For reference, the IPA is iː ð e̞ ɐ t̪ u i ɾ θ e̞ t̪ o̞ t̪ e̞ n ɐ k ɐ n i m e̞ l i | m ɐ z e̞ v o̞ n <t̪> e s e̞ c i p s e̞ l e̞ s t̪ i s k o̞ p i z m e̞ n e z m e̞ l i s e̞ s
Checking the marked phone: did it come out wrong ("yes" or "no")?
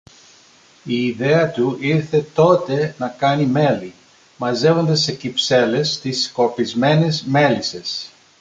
yes